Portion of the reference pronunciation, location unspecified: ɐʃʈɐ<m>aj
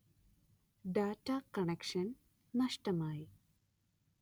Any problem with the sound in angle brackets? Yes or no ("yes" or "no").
no